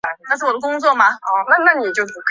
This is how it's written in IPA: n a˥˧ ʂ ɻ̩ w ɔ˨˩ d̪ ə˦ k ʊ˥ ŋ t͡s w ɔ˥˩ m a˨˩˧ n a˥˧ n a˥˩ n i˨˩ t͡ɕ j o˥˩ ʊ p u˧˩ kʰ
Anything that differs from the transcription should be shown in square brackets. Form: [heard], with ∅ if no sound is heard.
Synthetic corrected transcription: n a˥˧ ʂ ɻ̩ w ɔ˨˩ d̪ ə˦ k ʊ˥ ŋ t͡s w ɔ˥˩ m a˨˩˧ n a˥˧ n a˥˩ n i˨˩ t͡ɕ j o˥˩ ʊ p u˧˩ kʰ